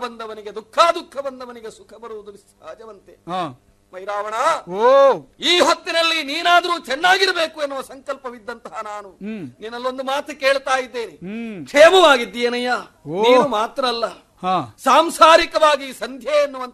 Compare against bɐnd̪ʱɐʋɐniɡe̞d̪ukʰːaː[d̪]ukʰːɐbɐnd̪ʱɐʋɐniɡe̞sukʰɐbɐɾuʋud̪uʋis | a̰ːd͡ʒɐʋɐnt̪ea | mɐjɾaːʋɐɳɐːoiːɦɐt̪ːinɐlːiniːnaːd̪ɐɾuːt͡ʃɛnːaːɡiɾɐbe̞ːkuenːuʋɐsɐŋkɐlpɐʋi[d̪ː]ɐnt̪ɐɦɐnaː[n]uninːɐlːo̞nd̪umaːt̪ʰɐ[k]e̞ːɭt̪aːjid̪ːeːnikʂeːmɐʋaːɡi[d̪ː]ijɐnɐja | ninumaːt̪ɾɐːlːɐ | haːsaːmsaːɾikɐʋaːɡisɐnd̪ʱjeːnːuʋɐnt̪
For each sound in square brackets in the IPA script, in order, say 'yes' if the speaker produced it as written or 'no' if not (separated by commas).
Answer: yes, yes, yes, yes, yes